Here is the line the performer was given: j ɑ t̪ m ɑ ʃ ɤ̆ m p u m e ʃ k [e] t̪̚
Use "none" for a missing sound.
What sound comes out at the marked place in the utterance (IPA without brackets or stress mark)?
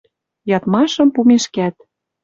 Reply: æ